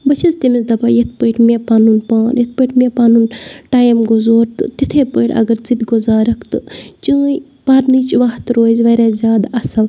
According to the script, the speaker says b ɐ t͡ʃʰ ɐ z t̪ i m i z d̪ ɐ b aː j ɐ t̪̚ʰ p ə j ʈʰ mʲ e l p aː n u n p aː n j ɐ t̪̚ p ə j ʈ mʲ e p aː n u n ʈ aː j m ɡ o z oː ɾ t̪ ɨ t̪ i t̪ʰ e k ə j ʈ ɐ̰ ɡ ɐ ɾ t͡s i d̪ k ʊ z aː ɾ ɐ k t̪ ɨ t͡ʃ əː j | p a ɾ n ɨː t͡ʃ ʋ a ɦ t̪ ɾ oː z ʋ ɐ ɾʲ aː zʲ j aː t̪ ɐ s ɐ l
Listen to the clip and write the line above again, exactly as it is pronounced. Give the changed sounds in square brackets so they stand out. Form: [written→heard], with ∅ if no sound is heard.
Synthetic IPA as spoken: b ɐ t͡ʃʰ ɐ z t̪ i m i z d̪ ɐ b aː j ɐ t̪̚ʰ p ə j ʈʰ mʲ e [l→∅] p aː n u n p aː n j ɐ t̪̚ p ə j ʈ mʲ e p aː n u n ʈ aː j m ɡ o z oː ɾ t̪ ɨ t̪ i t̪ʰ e [k→p] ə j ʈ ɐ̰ ɡ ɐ ɾ t͡s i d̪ [k→ɡ] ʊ z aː ɾ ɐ k t̪ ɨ t͡ʃ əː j | p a ɾ n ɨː t͡ʃ ʋ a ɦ t̪ ɾ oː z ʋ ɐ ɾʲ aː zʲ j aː [t̪→d̪] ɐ s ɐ l